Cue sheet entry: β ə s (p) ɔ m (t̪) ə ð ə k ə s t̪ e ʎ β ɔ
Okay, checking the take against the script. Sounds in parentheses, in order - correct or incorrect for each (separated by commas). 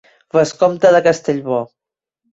incorrect, correct